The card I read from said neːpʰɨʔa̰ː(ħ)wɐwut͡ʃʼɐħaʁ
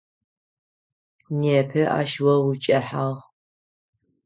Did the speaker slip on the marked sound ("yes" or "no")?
yes